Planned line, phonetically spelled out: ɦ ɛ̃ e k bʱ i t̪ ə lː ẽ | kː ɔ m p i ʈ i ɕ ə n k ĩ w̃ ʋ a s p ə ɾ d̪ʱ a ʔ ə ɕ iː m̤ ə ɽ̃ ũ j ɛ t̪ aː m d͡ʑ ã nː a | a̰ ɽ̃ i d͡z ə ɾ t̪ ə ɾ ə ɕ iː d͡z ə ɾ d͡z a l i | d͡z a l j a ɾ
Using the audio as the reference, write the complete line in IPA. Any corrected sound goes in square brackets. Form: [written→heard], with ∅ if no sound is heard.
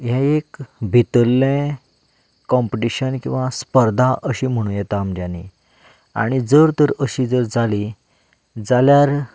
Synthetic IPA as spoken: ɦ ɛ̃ e k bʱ i t̪ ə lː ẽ | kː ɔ m p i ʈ i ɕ ə n k ĩ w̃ ʋ a s p ə ɾ d̪ʱ a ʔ ə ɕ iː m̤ ə ɽ̃ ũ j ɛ t̪ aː m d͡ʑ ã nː [a→i] | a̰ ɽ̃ i d͡z ə ɾ t̪ ə ɾ ə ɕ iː d͡z ə ɾ d͡z a l i | d͡z a l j a ɾ